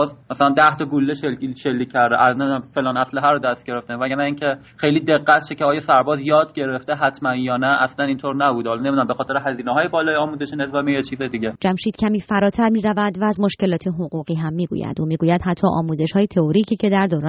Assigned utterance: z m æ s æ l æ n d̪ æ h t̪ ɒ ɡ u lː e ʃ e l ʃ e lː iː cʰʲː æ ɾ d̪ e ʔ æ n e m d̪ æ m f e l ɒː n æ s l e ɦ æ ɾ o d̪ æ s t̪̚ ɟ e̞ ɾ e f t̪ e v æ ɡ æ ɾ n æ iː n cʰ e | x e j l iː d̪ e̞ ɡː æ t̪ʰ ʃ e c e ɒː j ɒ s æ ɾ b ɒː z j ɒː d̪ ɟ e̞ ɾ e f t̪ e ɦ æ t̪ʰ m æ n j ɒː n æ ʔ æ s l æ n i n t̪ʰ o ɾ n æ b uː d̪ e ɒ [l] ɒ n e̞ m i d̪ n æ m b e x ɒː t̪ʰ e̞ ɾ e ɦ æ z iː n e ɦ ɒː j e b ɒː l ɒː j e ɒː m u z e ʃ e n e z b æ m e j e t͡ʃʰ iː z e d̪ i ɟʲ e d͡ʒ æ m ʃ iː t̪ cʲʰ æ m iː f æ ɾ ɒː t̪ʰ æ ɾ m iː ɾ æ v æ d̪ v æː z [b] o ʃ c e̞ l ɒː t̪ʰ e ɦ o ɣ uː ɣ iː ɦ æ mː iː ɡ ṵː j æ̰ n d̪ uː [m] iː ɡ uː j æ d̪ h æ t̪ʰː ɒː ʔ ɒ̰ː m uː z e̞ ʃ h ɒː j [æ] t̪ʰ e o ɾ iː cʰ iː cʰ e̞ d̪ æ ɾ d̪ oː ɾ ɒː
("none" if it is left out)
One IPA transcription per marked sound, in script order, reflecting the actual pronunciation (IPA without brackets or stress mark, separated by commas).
l, m, m, e